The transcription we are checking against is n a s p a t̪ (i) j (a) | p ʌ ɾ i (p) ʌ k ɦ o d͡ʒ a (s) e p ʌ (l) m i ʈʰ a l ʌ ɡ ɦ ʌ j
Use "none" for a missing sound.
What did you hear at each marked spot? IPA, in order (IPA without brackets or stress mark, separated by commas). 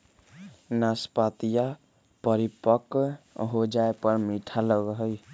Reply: i, a, p, none, ɾ